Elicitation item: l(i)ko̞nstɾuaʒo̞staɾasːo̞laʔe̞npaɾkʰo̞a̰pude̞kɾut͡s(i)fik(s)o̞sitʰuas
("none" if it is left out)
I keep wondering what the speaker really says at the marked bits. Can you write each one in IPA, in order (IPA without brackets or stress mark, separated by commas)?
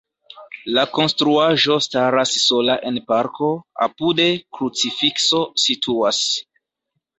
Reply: a, i, s